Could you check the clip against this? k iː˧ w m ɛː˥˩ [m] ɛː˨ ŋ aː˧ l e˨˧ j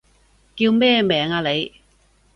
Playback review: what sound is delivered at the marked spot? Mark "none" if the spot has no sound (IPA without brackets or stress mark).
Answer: m